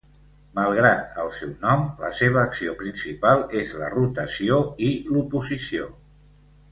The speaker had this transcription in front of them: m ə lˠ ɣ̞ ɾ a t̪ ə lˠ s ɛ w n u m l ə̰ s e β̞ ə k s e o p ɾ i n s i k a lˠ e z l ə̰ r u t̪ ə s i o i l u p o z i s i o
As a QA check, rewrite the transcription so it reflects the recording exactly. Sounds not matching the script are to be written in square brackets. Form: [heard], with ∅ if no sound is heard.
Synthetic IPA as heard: m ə lˠ ɣ̞ ɾ a t̪ ə lˠ s ɛ w n [ɔ] m l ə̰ s e β̞ [əː] k s [i] o p ɾ i n s i [p] a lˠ e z l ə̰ r u t̪ ə s i o i l u p [u] z i s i o

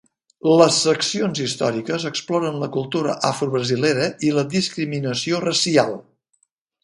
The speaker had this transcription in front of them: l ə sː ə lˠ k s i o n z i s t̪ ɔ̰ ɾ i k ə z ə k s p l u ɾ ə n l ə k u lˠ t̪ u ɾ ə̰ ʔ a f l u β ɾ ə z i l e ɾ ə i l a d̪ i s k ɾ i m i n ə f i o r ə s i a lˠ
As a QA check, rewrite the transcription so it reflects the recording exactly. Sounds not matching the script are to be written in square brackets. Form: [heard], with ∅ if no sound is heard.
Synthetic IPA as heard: l ə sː ə [∅] k s i o n z i s t̪ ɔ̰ ɾ i k ə z ə k s p l [ɔ] ɾ ə n l ə k u lˠ t̪ u ɾ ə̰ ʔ a f [ɾ] u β ɾ ə z i l e ɾ ə i l [ə] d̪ i s k ɾ i m i n ə [s] i o r ə s i a lˠ

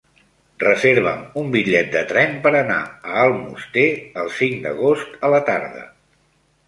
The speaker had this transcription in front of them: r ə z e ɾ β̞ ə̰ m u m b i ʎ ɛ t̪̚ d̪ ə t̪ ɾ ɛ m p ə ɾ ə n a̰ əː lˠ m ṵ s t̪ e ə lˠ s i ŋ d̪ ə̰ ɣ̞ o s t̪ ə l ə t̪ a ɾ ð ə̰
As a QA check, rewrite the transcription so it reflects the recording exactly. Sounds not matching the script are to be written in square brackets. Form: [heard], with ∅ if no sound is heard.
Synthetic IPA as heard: r ə z e ɾ β̞ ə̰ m u m b i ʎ ɛ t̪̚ d̪ ə t̪ ɾ ɛ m p ə ɾ ə n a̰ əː lˠ m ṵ s t̪ e ə lˠ s i ŋ d̪ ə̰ ɣ̞ o s t̪ ə l ə t̪ a ɾ ð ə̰

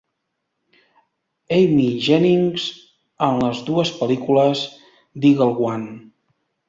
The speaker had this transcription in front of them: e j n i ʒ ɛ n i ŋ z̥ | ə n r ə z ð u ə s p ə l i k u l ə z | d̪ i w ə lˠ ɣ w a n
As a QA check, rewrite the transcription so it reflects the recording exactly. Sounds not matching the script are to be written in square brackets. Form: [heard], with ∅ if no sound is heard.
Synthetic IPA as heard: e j [m] i ʒ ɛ n i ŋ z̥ | ə n [l] ə z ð u ə s p ə l i k u l ə z | d̪ i [ɣ] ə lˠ ɣ w a n

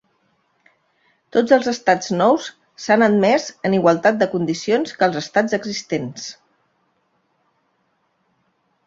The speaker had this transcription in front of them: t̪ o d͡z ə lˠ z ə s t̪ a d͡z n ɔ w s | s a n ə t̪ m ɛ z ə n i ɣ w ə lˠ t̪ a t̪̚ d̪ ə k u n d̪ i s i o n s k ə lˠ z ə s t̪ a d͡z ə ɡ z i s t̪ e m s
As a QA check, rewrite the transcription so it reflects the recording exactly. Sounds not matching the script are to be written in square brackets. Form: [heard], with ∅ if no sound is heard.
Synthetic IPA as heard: t̪ o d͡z ə lˠ z ə s t̪ a d͡z n ɔ w s | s a n ə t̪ m ɛ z ə n i ɣ w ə lˠ t̪ a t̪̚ d̪ ə k u n d̪ i s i o n s k ə lˠ z ə s t̪ a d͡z ə ɡ z i s t̪ e [n] s

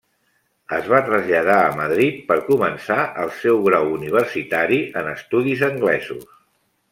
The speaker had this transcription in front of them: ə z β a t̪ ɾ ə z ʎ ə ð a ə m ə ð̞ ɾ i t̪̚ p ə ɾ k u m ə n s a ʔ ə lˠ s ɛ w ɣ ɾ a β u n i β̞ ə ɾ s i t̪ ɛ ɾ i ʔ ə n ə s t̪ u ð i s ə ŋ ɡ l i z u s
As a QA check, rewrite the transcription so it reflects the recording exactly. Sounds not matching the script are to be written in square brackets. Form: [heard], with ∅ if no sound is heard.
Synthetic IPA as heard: ə z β a t̪ ɾ ə z ʎ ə ð a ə m ə ð̞ ɾ i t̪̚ p ə ɾ k u m ə n s a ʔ ə lˠ s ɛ w ɣ ɾ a [w] u n i β̞ ə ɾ s i t̪ [a] ɾ i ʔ ə n ə s t̪ u ð i [z] ə ŋ ɡ l [ɛ] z u s

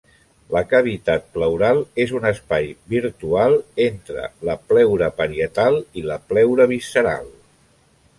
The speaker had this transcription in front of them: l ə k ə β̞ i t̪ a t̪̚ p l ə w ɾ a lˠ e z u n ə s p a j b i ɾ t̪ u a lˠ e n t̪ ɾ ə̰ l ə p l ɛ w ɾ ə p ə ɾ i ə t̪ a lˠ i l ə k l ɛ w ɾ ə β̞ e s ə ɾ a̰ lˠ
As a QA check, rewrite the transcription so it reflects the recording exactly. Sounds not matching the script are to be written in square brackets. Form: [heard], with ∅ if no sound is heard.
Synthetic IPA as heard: l ə k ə β̞ i t̪ a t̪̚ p l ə w ɾ a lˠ e z u n ə s p a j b i ɾ t̪ u a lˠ e n t̪ ɾ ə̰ l ə p l ɛ w ɾ ə p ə ɾ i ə t̪ a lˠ i l ə [p] l ɛ w ɾ ə β̞ [i] s ə ɾ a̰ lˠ

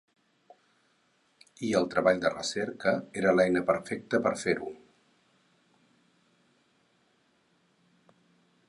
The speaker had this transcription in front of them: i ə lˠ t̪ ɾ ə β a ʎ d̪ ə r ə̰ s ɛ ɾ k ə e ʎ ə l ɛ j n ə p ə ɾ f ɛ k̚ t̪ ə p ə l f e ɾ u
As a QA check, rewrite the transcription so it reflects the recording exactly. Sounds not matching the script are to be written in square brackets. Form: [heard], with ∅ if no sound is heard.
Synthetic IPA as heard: i ə lˠ t̪ ɾ ə β a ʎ d̪ ə r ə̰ s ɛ ɾ k ə e [ɾ] ə l ɛ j n ə p ə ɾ f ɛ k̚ t̪ ə p ə [ɾ] f e ɾ u

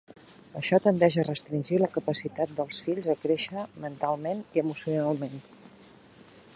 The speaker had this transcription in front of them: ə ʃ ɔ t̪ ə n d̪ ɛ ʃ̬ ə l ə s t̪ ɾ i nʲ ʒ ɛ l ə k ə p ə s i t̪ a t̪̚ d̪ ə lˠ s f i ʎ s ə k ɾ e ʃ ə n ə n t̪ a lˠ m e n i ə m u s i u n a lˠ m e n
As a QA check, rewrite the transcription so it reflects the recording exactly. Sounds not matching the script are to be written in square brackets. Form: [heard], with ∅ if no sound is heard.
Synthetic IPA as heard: ə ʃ ɔ t̪ ə n d̪ ɛ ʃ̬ ə [r] ə s t̪ ɾ i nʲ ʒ [i] l ə k ə p ə s i t̪ a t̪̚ d̪ ə lˠ s f i ʎ [z] ə k ɾ e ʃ ə [m] ə n t̪ a lˠ m e n i ə m u s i u n a lˠ m e n

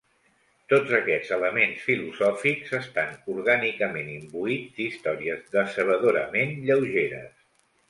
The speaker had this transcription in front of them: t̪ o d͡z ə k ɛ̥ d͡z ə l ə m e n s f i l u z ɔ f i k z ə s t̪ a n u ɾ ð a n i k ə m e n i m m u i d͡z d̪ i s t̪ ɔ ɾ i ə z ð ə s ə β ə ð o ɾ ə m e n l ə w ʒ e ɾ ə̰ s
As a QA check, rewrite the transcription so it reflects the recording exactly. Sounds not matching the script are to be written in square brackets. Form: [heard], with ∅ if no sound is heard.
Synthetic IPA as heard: t̪ o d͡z ə k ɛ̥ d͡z ə l ə m e n s f i l u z ɔ f i k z ə s t̪ a n u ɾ [ɣ] a n i k ə m e n i m [b] u i d͡z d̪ i s t̪ ɔ ɾ i ə z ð ə s ə β ə ð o ɾ ə m e n [ʎ] ə w ʒ e ɾ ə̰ s

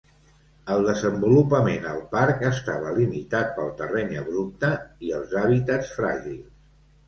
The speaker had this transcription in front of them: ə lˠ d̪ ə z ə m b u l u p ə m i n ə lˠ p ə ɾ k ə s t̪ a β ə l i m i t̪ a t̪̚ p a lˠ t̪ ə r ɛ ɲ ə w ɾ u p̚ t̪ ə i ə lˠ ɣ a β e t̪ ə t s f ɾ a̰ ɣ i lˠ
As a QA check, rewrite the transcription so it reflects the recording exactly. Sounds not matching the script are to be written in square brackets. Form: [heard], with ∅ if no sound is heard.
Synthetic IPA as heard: ə lˠ d̪ ə z ə m b u l u p ə m [e] n ə lˠ p [a] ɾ k ə s t̪ a β ə l i m i t̪ a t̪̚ p [ə] lˠ t̪ ə r ɛ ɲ ə [β] ɾ u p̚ t̪ ə i ə lˠ [z] a β [i] t̪ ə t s f ɾ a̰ [ʒ] i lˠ

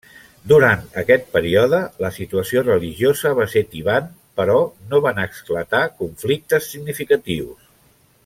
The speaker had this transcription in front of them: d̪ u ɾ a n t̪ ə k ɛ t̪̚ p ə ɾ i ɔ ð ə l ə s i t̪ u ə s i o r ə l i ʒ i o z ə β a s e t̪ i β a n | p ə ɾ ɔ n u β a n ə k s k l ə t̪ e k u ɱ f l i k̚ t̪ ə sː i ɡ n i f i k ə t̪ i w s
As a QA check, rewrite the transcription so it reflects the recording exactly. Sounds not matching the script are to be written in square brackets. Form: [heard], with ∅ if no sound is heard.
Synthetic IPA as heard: d̪ u ɾ a n t̪ ə k ɛ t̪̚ p ə ɾ i ɔ ð ə l ə s i t̪ u ə s i o r ə l i ʒ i o z ə β a s e t̪ i β a n | p ə ɾ ɔ n [o] β a n ə k s k l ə t̪ [a] k u ɱ f l i k̚ t̪ ə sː i ɡ n i f i k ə t̪ i w s

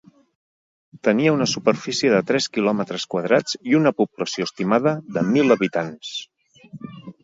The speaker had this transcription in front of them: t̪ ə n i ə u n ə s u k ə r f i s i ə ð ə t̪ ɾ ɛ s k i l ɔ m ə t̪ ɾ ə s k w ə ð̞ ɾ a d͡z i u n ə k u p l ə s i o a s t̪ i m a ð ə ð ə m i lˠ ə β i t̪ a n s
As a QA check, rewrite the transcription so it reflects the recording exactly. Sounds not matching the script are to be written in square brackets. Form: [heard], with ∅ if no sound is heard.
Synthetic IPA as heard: t̪ ə n i ə u n ə s u [p] ə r f i s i ə ð ə t̪ ɾ ɛ s k i l ɔ m ə t̪ ɾ ə s k w ə ð̞ ɾ a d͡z i u n ə [p] u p l ə s i o [ə] s t̪ i m a ð ə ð ə m i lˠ ə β i t̪ a n s

